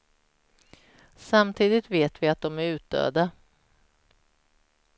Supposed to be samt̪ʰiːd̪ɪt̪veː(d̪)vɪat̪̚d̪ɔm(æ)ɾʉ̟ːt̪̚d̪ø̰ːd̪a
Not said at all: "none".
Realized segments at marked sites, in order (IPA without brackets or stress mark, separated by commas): t̪, æ